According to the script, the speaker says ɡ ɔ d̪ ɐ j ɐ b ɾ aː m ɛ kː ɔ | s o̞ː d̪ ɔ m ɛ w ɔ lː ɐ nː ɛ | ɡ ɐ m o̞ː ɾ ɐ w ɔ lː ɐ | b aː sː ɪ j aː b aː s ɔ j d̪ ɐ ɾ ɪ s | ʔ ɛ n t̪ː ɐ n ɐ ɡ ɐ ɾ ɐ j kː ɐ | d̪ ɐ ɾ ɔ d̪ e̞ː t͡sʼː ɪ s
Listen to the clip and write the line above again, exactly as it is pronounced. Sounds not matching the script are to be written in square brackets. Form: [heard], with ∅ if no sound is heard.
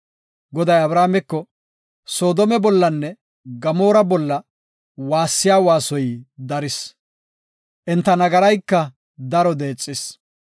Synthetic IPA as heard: ɡ ɔ d̪ ɐ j ɐ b ɾ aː m ɛ kː ɔ | s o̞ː d̪ ɔ m ɛ [b] ɔ lː ɐ nː ɛ | ɡ ɐ m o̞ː ɾ ɐ [b] ɔ lː ɐ | [w] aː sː ɪ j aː [w] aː s ɔ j d̪ ɐ ɾ ɪ s | ʔ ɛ n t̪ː ɐ n ɐ ɡ ɐ ɾ ɐ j kː ɐ | d̪ ɐ ɾ ɔ d̪ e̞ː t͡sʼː ɪ s